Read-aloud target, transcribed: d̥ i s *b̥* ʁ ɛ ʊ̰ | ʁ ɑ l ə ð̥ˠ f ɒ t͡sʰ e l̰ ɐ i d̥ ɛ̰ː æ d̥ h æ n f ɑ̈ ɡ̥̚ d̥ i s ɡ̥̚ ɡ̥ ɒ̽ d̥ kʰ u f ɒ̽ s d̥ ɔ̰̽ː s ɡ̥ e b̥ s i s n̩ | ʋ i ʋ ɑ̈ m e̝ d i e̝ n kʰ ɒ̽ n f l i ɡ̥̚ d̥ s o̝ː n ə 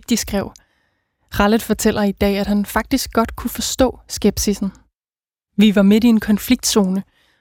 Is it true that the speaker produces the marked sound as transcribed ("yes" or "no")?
no